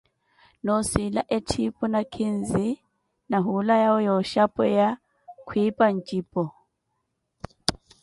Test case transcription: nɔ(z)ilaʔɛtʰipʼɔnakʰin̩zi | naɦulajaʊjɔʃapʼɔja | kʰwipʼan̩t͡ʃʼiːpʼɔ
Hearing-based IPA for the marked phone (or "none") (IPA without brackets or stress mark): s